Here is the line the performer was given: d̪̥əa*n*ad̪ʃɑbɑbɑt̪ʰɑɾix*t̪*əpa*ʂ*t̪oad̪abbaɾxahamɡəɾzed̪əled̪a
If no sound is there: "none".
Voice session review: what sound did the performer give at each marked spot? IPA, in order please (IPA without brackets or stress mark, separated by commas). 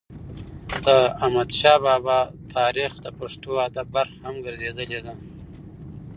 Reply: m, d̪, ʂ